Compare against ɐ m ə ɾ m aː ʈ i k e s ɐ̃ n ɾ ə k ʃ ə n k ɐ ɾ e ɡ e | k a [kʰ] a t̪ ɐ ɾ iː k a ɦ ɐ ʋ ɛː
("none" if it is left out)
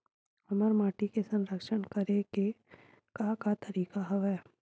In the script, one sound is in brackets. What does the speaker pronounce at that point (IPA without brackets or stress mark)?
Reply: k